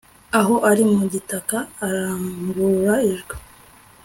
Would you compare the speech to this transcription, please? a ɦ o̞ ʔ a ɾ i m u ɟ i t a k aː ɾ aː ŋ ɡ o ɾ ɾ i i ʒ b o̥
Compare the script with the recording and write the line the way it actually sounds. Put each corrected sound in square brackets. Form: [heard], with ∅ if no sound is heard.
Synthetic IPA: a ɦ o̞ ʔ a ɾ i m u ɟ i t a k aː ɾ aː ŋ ɡ [u] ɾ ɾ [a] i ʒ [ɡ] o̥